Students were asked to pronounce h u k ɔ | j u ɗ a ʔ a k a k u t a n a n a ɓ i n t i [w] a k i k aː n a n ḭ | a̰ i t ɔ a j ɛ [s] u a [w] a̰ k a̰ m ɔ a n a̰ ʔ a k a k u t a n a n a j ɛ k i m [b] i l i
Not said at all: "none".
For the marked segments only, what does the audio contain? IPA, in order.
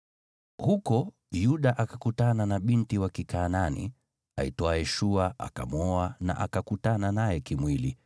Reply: w, ʃ, none, w

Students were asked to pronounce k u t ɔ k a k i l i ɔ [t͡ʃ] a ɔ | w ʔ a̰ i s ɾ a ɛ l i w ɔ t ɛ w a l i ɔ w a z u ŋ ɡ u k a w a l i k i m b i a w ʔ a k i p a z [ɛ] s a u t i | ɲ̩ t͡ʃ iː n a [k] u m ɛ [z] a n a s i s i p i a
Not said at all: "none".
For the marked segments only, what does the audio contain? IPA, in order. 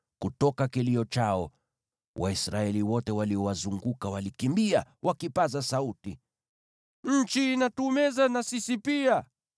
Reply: t͡ʃ, a, t, z

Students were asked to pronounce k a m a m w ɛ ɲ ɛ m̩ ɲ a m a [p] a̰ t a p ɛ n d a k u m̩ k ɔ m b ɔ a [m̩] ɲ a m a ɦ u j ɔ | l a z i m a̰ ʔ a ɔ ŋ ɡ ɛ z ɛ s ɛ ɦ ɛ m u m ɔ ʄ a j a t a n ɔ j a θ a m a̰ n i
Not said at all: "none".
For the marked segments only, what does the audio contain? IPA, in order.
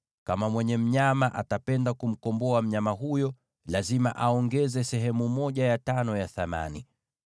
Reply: ʔ, m̩

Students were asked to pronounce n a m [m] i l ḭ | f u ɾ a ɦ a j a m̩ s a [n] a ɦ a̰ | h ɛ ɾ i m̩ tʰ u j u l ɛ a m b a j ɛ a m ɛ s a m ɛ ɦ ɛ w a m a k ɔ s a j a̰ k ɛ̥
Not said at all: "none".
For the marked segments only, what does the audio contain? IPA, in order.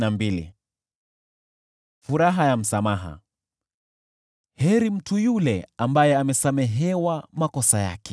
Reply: b, m

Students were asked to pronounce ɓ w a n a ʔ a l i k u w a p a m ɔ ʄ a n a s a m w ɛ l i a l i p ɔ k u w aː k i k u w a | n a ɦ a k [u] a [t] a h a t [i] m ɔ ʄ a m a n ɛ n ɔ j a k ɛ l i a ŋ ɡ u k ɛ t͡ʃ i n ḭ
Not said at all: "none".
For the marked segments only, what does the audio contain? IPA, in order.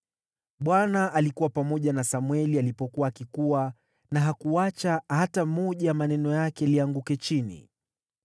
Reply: u, t͡ʃ, a

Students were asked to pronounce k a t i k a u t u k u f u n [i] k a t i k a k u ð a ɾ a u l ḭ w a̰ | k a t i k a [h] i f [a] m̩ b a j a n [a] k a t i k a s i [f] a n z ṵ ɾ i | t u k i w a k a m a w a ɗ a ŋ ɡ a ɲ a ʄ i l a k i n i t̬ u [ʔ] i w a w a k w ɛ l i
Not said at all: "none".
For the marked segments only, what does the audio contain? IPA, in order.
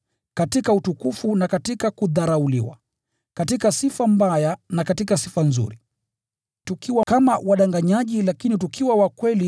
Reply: a, s, a, a, f, k

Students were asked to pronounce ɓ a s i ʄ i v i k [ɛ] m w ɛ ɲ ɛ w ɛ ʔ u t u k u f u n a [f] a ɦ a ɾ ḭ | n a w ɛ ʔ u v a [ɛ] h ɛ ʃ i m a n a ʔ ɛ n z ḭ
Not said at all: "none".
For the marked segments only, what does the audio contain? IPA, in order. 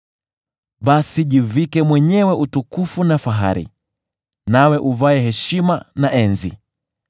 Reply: ɛ, f, ɛ

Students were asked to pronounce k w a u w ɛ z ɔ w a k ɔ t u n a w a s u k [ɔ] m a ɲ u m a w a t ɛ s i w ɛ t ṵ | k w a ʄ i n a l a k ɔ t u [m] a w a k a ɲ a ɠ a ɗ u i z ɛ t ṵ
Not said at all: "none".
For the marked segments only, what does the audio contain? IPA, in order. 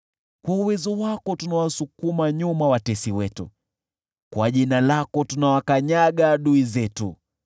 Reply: u, n

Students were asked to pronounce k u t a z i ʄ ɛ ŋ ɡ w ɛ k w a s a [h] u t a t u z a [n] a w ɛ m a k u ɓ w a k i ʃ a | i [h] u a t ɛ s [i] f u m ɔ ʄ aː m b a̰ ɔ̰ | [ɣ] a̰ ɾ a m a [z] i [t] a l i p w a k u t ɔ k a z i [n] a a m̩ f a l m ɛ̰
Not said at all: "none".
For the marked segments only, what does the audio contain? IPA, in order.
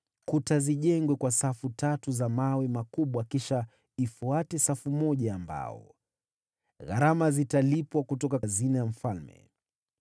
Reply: f, m, f, a, ɣ, z, t, n

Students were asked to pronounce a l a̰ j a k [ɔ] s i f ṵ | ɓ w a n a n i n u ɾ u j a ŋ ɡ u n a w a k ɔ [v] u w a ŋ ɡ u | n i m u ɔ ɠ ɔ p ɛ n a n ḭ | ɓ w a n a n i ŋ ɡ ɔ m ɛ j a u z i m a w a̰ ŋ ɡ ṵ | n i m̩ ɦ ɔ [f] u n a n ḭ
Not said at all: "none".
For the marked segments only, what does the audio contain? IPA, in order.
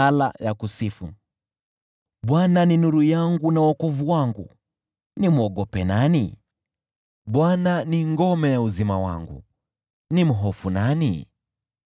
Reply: u, v, f

